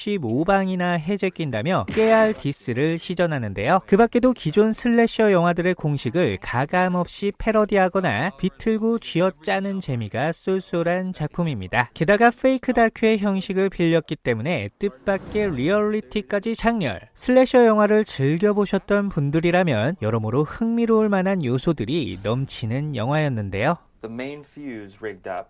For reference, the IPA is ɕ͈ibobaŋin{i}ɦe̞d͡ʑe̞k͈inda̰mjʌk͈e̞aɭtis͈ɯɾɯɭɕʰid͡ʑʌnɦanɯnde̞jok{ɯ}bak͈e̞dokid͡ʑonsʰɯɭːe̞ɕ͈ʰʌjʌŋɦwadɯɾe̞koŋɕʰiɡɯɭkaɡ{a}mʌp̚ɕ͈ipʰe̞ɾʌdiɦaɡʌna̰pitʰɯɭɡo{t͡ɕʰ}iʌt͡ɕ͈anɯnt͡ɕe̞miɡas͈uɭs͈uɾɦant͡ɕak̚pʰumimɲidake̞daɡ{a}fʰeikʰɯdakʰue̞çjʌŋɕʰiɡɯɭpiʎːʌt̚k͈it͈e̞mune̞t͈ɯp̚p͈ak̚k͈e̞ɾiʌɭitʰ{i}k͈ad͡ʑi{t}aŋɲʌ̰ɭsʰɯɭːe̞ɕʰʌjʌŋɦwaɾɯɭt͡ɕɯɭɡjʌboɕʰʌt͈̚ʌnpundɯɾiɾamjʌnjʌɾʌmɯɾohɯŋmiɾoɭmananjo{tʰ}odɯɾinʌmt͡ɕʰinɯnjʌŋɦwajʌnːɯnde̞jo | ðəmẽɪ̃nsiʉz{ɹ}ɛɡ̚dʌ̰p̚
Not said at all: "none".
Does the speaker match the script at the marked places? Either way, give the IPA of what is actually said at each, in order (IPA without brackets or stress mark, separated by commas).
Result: a, ɯ, a, t͡ɕ, a, i, t͡ɕ, sʰ, ɹ